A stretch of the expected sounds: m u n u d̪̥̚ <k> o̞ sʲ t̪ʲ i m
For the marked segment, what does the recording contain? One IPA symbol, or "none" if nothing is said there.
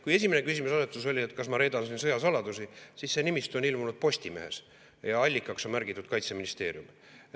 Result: p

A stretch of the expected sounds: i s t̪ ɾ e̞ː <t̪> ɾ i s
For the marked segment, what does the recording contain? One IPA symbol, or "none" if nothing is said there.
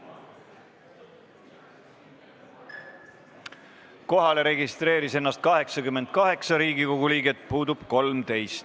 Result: none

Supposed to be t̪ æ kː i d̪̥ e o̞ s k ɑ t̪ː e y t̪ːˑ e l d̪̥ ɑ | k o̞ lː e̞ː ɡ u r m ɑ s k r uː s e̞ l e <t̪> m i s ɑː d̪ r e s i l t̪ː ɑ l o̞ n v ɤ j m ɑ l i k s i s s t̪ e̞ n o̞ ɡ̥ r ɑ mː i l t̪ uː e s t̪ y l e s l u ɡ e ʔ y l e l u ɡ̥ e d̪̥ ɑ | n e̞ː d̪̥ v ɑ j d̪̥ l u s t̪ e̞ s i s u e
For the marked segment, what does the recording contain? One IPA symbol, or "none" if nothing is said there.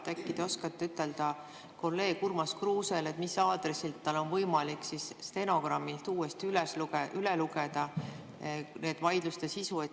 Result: t̪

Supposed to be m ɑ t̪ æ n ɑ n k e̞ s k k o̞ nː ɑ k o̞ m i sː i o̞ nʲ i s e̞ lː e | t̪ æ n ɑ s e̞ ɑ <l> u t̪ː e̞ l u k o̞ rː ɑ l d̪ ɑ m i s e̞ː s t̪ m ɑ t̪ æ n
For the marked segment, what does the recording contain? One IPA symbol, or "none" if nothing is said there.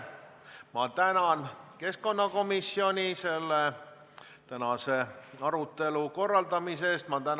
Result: ɾ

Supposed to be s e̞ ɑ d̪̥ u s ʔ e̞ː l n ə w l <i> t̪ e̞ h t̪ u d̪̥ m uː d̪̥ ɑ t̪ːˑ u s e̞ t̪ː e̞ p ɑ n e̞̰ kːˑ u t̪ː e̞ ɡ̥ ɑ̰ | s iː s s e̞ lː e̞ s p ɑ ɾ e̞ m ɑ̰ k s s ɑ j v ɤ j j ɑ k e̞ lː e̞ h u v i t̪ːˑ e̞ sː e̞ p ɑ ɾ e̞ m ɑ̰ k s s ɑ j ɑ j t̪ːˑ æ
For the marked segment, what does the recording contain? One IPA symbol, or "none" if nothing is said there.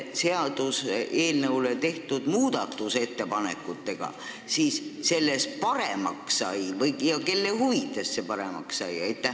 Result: e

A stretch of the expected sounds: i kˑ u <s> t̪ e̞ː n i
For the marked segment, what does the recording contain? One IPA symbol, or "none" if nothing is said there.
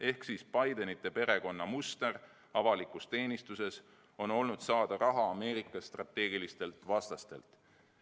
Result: s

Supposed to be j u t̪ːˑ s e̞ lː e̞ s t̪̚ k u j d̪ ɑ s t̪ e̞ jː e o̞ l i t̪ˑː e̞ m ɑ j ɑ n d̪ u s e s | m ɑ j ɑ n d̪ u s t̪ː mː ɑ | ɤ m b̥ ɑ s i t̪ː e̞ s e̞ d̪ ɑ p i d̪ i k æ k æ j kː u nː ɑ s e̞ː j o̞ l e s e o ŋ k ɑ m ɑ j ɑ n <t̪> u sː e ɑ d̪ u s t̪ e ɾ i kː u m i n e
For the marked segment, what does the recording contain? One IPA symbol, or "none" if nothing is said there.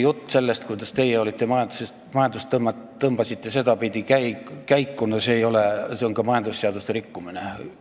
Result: d̪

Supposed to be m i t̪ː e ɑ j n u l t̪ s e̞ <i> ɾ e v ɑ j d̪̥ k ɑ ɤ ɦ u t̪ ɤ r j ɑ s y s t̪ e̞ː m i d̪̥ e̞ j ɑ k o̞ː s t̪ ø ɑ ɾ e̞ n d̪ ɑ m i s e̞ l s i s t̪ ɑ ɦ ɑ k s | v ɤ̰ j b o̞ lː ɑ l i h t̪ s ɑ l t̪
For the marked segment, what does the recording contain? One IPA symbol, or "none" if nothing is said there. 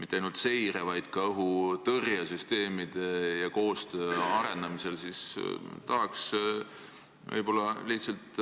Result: j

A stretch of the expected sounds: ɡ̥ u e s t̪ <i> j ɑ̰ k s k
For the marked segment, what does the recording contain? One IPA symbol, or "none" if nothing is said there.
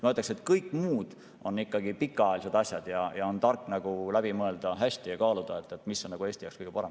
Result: i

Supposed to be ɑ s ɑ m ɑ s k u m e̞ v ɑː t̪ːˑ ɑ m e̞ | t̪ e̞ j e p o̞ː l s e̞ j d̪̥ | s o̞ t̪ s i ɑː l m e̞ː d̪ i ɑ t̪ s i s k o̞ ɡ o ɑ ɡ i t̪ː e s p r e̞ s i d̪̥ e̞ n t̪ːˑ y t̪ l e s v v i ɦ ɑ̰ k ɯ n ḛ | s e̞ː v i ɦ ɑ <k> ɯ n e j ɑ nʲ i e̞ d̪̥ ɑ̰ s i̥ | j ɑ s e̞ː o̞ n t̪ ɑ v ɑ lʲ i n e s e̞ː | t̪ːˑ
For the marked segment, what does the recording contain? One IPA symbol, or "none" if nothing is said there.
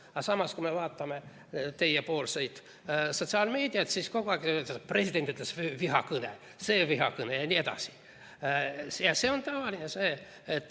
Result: k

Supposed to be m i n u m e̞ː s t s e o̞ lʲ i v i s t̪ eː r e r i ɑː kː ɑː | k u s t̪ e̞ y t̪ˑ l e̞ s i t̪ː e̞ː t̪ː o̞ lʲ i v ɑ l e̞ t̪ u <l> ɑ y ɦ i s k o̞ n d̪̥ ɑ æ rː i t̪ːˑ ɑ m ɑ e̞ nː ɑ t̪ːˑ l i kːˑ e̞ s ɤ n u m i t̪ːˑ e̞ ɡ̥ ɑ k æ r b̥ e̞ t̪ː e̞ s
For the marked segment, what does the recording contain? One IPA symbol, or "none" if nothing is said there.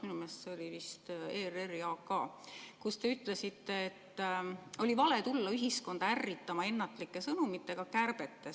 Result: lː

